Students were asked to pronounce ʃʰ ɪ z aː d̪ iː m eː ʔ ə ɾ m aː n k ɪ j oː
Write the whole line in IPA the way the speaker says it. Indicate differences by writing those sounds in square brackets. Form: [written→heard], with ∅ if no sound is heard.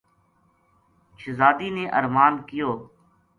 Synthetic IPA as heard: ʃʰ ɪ z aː d̪ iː [m→n] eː ʔ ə ɾ m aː n k ɪ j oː